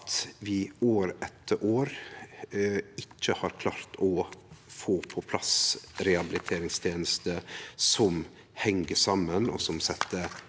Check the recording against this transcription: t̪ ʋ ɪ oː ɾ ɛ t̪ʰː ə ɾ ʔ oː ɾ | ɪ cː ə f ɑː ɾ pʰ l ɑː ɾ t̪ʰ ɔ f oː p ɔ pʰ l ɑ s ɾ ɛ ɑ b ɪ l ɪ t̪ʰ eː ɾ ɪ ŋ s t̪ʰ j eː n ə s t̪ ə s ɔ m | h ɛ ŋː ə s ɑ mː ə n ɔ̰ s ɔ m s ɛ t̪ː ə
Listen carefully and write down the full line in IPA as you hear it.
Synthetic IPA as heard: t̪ ʋ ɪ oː ɾ ɛ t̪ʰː ə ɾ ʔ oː ɾ | ɪ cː ə h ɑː ɾ kʰ l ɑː ɾ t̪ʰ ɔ f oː pʰ ɔ pʰ l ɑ s ɾ ɛ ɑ b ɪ l ɪ t̪ʰ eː ɾ ɪ ŋ s t̪ʰ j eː n ə s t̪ ə s ɔ m | h ɛ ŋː ə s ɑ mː ə n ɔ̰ s ɔ m s ɛ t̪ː ə